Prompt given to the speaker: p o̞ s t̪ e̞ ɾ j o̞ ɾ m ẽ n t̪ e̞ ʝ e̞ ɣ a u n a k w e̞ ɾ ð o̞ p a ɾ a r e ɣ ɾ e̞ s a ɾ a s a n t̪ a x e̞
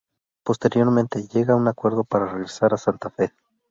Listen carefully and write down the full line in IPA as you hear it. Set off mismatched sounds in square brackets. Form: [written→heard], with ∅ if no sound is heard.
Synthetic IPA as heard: p o̞ s t̪ e̞ ɾ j o̞ ɾ m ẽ n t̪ e̞ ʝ e̞ ɣ a u n a k w e̞ ɾ ð o̞ p a ɾ a r e ɣ ɾ e̞ s a ɾ a s a n t̪ a [x→f] e̞